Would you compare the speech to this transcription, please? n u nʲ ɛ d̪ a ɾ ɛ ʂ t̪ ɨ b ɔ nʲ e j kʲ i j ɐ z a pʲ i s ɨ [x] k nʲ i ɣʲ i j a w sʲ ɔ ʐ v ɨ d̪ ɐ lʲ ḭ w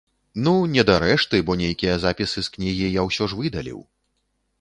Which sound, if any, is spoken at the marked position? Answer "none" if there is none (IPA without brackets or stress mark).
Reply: s